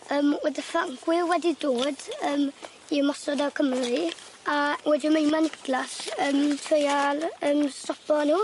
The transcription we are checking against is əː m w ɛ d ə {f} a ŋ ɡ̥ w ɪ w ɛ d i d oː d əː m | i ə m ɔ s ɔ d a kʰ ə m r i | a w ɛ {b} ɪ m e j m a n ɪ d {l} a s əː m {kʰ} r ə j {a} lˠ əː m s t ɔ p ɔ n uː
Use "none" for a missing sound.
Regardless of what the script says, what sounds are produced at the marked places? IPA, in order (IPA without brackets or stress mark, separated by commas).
f, d, l, tʰ, a